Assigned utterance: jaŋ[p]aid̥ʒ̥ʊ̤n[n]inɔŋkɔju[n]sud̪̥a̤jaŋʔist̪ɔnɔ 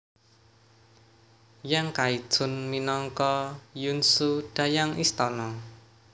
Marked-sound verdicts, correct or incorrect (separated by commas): incorrect, incorrect, correct